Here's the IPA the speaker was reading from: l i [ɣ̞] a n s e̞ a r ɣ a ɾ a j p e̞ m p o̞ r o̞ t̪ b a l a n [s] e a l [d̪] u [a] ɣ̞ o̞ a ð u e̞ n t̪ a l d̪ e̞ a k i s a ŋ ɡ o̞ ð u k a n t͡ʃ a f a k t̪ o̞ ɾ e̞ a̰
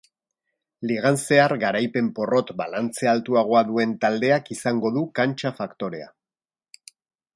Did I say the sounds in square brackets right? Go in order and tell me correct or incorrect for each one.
correct, incorrect: t͡s, incorrect: t̪, correct

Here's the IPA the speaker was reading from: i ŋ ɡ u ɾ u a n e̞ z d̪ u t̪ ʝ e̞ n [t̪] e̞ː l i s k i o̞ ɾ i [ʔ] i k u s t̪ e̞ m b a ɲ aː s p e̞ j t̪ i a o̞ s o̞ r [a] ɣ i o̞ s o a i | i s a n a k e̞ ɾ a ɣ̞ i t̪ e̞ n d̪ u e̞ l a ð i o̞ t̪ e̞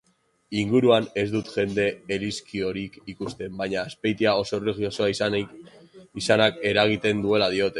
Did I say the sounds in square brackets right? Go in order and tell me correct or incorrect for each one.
incorrect: d̪, incorrect: k, incorrect: e

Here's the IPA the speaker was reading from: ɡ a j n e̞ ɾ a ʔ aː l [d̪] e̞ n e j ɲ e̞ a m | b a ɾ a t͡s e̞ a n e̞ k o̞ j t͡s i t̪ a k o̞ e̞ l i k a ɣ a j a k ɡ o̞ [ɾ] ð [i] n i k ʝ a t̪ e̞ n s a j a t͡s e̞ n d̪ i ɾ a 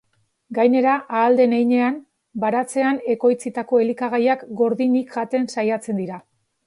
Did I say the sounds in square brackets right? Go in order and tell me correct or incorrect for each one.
correct, correct, correct

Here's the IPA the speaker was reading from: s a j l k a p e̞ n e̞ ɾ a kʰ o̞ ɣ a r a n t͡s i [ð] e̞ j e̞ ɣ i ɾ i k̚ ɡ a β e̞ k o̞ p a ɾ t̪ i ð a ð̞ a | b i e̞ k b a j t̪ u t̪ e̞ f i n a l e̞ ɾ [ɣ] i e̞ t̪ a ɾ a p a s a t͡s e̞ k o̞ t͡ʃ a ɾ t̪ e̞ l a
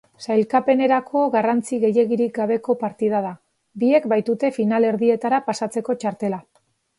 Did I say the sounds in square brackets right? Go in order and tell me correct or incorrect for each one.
incorrect: ɣ, incorrect: ð

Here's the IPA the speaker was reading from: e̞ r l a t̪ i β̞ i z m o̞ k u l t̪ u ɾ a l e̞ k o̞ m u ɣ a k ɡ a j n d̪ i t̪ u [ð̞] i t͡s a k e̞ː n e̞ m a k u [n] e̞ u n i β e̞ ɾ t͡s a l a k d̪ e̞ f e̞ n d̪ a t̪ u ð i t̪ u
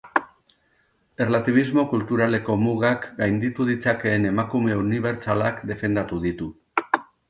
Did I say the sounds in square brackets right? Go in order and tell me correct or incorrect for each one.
correct, incorrect: m

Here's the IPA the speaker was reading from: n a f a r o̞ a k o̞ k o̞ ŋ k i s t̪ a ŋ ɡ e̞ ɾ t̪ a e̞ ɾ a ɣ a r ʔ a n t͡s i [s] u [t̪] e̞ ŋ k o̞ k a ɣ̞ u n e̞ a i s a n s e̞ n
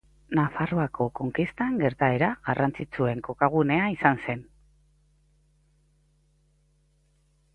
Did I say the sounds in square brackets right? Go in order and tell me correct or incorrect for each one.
incorrect: t͡s, incorrect: none

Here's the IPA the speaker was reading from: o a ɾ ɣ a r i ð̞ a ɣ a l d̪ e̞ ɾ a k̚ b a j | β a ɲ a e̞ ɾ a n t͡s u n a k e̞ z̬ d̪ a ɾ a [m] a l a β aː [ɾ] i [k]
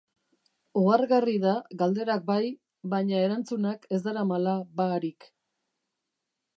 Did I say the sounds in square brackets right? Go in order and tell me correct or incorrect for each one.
correct, correct, correct

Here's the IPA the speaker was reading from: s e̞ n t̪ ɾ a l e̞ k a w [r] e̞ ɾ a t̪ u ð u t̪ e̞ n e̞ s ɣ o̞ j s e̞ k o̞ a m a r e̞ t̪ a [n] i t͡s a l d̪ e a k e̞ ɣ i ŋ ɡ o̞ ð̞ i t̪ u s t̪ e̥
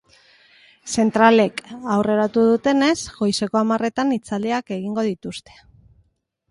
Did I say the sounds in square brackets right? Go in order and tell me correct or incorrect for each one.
correct, correct

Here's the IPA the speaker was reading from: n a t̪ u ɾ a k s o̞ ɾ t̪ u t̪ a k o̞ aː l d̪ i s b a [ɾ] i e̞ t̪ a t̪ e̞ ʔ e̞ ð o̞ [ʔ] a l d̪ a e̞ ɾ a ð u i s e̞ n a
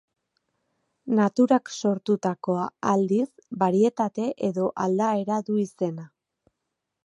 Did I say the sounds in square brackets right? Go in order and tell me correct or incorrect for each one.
correct, correct

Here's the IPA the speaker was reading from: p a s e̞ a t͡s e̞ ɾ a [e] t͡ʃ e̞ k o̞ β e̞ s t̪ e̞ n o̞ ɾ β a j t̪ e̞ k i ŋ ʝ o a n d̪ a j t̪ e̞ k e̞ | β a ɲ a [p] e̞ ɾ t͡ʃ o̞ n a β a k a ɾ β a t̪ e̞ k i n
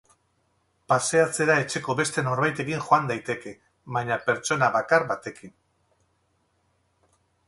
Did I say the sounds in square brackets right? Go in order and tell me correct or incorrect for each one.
correct, correct

